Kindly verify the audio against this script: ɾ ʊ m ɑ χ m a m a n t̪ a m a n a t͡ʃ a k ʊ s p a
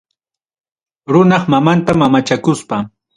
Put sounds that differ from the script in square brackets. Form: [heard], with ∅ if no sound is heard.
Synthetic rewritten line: ɾ ʊ [n] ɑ χ m a m a n t̪ a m a [m] a t͡ʃ a k ʊ s p a